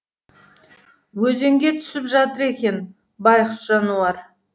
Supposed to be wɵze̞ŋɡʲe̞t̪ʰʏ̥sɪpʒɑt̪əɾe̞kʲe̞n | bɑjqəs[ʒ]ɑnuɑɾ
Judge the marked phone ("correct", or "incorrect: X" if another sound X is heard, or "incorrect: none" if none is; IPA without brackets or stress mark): correct